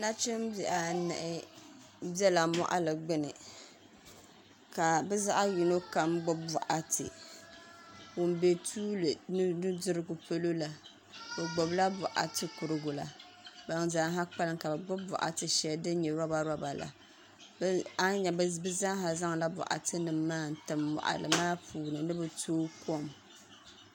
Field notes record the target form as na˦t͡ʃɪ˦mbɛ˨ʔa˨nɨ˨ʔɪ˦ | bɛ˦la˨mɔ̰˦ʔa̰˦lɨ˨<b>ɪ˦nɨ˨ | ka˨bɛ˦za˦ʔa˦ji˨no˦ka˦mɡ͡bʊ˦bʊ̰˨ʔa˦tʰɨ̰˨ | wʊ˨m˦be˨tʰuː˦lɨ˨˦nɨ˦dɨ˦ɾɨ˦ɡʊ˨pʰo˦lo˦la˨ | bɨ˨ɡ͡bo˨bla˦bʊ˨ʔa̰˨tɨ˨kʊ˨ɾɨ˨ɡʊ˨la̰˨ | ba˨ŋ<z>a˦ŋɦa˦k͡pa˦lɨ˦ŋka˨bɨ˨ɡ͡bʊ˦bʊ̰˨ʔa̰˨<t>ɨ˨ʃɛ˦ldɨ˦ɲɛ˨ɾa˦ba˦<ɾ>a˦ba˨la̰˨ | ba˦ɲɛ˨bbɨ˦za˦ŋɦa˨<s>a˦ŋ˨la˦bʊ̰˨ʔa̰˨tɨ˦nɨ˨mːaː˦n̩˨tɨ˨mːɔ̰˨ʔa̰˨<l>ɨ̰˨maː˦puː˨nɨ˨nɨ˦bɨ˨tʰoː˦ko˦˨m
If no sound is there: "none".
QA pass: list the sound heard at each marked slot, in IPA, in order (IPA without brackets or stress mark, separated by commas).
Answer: ɡ͡b, z, t, ɾ, z, l